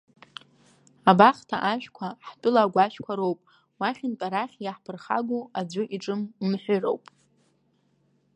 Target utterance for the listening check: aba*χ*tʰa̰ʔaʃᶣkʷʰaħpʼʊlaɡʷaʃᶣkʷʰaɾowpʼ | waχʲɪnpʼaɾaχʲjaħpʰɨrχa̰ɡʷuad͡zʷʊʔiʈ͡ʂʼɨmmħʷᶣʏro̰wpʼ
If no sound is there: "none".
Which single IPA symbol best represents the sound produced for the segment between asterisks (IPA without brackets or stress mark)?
χ